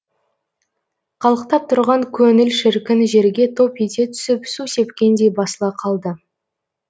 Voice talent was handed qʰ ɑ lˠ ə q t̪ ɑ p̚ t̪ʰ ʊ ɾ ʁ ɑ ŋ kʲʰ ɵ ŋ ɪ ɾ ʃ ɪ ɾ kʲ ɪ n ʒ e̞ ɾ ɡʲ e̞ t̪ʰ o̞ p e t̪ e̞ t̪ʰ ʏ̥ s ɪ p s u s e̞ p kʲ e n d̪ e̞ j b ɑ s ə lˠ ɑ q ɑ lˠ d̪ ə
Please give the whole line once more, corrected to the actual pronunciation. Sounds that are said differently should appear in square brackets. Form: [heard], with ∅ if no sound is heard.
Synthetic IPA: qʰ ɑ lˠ ə q t̪ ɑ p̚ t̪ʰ ʊ ɾ ʁ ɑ ŋ kʲʰ ɵ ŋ ɪ [l] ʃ ɪ ɾ kʲ ɪ n ʒ e̞ ɾ ɡʲ e̞ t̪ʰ o̞ p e t̪ e̞ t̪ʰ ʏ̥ s ɪ p s u s e̞ p kʲ e n d̪ e̞ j b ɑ s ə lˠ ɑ [qʰ] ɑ lˠ d̪ ə